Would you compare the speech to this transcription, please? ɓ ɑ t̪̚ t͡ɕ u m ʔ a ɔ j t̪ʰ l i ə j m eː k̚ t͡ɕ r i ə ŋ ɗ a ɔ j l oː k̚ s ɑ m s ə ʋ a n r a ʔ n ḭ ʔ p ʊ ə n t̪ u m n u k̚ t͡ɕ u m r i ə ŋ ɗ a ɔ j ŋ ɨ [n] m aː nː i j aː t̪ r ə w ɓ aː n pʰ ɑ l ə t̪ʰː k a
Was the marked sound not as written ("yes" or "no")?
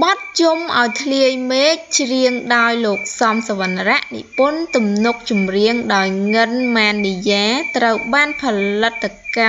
no